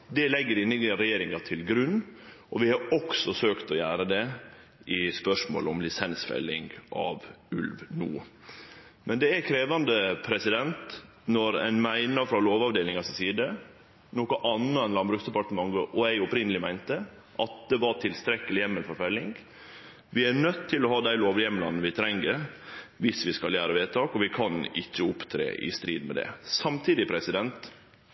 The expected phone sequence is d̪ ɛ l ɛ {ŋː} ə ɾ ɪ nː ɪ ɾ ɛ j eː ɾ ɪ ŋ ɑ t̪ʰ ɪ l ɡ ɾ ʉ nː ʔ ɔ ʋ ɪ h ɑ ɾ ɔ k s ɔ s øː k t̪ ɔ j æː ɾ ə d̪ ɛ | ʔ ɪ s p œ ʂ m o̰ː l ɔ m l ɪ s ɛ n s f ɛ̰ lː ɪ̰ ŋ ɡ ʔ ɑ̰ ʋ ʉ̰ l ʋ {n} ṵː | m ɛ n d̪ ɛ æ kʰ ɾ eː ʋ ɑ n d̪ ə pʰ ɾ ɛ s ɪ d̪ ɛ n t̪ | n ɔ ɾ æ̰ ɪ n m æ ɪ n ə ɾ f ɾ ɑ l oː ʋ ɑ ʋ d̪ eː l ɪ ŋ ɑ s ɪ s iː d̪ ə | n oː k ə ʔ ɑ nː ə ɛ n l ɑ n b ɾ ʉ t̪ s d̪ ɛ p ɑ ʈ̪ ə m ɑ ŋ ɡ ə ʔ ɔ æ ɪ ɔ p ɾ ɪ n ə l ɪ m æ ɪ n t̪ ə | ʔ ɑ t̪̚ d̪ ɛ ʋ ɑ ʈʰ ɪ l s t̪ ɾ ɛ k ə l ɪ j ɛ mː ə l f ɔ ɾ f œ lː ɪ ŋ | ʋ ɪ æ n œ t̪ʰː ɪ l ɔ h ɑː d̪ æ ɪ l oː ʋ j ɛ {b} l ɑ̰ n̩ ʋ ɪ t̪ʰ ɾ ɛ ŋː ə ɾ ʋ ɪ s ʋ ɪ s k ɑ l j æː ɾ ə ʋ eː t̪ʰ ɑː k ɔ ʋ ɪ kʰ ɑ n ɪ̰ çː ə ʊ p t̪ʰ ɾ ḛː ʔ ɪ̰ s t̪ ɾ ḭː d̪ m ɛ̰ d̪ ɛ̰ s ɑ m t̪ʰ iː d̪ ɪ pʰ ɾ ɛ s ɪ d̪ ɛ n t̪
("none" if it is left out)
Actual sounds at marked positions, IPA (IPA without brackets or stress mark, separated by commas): ɡː, n, m